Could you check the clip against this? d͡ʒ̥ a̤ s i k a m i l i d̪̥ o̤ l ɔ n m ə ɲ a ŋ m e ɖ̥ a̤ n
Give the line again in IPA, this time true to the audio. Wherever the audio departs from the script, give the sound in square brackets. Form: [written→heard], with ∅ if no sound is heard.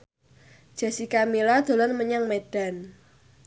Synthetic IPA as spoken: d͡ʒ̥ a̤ s i k a m i l [i→a] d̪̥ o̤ l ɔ n m ə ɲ a ŋ m e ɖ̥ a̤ n